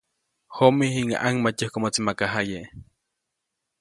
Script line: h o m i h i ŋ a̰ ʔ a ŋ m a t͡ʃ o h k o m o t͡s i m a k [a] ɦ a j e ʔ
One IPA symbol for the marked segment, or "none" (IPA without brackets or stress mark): a